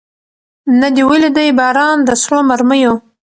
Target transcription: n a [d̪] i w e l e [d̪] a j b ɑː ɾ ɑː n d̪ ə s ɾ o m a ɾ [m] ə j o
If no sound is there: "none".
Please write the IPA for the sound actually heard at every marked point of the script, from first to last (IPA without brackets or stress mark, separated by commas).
d̪, d̪, m